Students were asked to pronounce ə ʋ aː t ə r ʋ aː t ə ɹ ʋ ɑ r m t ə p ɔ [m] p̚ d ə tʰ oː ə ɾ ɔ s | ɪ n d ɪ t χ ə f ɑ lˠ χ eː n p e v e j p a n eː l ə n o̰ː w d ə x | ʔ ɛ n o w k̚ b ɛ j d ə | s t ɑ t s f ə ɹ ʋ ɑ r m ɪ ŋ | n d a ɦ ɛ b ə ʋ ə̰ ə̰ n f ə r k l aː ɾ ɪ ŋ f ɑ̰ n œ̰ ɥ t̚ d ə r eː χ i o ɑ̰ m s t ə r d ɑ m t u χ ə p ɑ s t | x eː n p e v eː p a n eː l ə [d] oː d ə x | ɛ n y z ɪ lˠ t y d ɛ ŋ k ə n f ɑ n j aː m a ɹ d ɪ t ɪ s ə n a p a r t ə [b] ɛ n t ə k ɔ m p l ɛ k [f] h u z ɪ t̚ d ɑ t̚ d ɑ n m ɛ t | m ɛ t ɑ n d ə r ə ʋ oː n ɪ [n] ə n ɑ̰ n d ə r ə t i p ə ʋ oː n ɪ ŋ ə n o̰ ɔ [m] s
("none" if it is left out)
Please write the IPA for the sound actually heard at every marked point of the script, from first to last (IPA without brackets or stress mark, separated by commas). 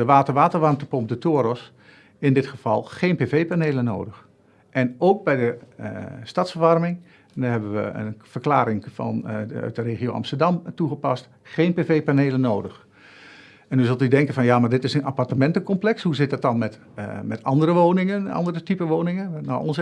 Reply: m, n, m, s, ŋ, n